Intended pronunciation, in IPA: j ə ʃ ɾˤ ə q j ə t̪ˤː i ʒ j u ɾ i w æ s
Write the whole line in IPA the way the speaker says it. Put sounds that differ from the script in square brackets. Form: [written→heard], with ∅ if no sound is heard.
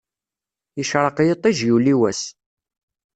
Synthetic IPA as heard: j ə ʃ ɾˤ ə q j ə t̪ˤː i ʒ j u [ɾ→l] i w æ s